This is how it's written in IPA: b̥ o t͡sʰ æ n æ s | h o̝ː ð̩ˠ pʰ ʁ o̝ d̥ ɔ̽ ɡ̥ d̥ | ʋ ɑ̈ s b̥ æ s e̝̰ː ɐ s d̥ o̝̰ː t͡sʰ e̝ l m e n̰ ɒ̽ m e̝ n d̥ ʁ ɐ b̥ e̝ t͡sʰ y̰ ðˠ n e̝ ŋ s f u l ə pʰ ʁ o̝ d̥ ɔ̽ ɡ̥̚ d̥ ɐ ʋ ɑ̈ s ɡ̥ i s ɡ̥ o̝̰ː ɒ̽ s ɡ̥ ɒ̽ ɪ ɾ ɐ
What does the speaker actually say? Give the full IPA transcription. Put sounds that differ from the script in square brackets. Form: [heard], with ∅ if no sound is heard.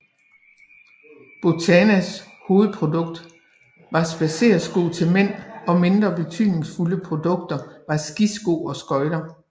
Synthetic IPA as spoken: b̥ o t͡sʰ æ n æ s | h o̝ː ð̩ˠ pʰ ʁ o̝ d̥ ɔ̽ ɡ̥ d̥ | ʋ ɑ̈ s b̥ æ s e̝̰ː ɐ s [ɡ̥] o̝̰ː t͡sʰ e̝ l m e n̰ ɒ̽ m e̝ n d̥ ʁ ɐ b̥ e̝ t͡sʰ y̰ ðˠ n e̝ ŋ s f u l ə pʰ ʁ o̝ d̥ ɔ̽ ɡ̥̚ d̥ ɐ ʋ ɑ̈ s ɡ̥ i s ɡ̥ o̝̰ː ɒ̽ s ɡ̥ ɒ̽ ɪ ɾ ɐ